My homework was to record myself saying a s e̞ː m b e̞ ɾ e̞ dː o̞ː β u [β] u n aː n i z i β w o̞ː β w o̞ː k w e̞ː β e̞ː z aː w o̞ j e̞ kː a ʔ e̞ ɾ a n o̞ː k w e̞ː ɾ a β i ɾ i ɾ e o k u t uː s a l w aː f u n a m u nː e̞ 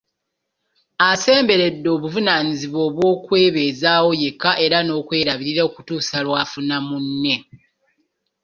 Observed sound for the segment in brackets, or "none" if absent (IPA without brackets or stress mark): v